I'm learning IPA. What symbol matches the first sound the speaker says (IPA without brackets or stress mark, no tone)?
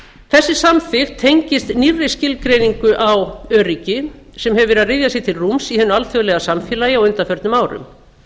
θ